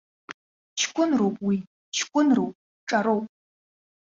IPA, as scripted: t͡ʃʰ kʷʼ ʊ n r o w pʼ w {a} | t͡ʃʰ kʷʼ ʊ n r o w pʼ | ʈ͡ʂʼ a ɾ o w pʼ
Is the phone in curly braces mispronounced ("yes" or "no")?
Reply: yes